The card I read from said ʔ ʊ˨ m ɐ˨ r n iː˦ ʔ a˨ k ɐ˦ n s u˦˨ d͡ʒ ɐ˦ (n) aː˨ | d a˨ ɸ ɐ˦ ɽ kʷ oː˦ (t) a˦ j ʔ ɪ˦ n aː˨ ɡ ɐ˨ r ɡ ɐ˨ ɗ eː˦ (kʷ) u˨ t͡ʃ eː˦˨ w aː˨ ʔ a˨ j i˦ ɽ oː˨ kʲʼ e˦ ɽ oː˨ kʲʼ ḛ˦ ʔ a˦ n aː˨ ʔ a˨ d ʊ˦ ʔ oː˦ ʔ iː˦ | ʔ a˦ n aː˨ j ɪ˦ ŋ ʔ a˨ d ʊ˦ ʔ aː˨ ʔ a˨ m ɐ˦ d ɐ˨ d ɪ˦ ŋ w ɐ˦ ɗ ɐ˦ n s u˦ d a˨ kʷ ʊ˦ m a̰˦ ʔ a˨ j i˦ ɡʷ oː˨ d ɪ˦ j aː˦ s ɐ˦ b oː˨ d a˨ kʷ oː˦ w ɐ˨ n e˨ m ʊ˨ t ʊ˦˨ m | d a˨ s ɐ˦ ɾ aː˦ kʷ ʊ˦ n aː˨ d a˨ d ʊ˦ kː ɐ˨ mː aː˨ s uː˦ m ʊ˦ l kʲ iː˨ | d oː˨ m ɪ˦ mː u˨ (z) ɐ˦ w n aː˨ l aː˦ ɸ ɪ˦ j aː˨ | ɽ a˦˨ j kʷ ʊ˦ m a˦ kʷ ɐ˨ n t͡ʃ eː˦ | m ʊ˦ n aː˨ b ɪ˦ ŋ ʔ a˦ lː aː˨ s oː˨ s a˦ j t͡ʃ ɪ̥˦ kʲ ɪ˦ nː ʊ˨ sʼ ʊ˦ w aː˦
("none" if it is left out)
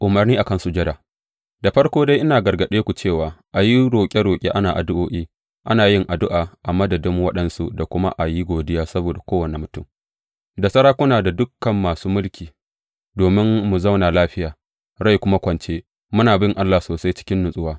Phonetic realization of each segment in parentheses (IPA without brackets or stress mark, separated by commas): d, d, kʷ, z